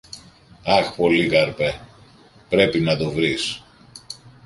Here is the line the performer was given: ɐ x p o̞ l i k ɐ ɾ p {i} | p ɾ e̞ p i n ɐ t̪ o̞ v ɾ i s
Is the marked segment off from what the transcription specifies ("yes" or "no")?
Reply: yes